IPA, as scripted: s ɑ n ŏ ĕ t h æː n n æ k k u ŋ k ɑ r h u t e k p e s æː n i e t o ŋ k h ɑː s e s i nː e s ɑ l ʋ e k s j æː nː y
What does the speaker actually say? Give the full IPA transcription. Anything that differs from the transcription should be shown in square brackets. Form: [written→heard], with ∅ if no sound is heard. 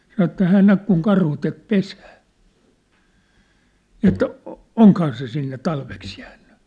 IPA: s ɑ n ŏ ĕ t h æː n n æ k k u ŋ k ɑ r h u t e k p e s æː n i e t o ŋ k h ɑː s e s i nː e [s→t] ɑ l ʋ e k s j æː nː y